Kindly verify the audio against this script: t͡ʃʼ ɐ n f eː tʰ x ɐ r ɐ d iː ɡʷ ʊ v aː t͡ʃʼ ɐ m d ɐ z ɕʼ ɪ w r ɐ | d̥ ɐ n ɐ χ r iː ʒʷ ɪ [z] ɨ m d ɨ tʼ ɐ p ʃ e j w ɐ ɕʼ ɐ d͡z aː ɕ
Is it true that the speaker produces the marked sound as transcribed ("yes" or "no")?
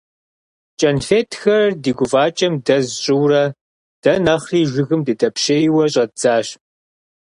no